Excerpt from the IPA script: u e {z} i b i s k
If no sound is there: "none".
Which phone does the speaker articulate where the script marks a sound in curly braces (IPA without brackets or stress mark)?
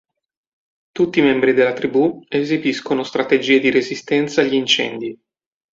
z